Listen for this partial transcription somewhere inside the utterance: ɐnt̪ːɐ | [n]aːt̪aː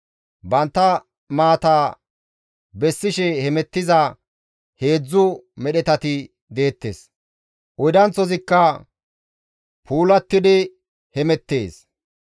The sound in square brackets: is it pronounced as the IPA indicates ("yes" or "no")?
no